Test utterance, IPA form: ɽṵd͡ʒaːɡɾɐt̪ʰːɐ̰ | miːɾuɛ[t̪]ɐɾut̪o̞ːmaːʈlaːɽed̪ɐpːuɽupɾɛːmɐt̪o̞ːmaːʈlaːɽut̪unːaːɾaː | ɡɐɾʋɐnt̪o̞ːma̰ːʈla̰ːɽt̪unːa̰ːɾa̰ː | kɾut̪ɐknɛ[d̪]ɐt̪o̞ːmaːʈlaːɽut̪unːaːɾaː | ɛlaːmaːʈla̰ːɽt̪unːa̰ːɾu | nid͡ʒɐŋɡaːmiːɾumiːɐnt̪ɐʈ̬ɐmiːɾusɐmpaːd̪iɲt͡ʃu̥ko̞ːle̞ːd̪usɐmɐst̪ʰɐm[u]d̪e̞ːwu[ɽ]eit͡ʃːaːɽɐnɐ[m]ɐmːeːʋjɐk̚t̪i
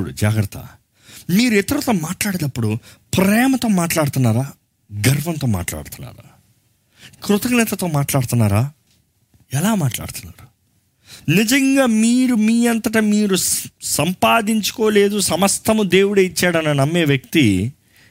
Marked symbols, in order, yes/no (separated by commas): yes, no, yes, yes, no